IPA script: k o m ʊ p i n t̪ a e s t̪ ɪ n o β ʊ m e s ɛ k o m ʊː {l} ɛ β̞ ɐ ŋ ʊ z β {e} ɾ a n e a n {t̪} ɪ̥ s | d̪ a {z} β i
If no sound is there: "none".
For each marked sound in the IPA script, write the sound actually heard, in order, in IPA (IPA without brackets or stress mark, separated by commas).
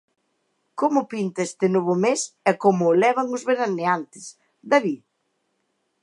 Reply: l, e, t̪, none